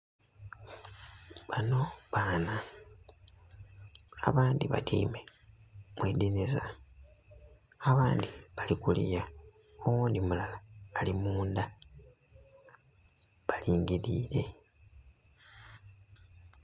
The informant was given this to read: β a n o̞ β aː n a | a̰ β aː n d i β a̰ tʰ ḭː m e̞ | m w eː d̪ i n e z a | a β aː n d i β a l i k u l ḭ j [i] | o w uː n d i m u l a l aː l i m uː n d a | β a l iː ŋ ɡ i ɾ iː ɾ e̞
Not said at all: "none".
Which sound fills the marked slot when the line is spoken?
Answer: a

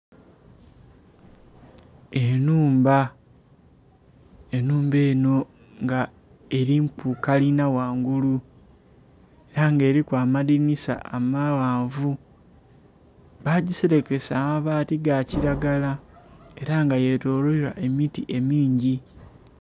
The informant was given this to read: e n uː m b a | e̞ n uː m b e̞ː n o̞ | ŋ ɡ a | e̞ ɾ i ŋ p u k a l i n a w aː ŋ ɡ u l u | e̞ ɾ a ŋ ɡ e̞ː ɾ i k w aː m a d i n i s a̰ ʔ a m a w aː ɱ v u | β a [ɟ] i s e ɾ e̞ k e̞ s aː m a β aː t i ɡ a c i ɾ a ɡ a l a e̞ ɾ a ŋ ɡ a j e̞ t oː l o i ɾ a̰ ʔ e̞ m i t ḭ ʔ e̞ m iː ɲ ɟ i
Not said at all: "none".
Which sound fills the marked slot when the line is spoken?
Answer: ɟ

